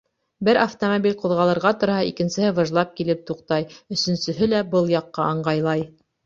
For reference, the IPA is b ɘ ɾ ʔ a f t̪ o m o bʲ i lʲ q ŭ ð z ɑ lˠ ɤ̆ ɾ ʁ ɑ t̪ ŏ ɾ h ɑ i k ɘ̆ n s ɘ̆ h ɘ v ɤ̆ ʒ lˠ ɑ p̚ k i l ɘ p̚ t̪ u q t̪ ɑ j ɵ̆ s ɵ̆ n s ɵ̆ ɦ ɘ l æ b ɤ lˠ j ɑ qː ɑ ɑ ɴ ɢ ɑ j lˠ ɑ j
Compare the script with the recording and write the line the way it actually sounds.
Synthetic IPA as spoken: b ɘ ɾ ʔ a f t̪ o m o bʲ i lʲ q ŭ ð ʁ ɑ lˠ ɤ̆ ɾ ʁ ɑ t̪ ŏ ɾ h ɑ i k ɘ̆ n s ɘ̆ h ɘ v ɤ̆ ʒ lˠ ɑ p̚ k i l ɘ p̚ t̪ u q t̪ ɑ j ɵ̆ s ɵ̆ n s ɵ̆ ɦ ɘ l æ b ɤ lˠ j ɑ qː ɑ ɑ ɴ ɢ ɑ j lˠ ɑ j